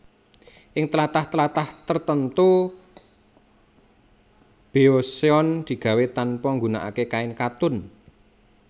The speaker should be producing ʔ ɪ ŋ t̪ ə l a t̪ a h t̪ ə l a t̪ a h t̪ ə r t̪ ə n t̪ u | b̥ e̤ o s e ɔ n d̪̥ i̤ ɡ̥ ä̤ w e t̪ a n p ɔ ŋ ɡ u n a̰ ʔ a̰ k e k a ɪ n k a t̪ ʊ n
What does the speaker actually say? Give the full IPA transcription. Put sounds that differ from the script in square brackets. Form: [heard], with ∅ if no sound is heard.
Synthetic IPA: ʔ ɪ ŋ t̪ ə l a t̪ a h t̪ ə l a t̪ a h t̪ ə r t̪ ə n t̪ u | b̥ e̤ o s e ɔ n d̪̥ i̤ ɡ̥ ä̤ w e t̪ a n p ɔ ŋ ɡ u n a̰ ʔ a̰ k e k a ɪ n k a t̪ ʊ n